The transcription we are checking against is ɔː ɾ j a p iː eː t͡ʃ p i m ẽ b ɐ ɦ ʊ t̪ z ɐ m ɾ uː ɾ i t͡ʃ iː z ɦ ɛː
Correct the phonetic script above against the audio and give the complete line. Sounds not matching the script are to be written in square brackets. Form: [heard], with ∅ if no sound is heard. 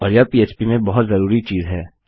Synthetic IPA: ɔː ɾ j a p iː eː t͡ʃ p i m ẽ b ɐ ɦ ʊ t̪ z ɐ [∅] ɾ uː ɾ i t͡ʃ iː z ɦ ɛː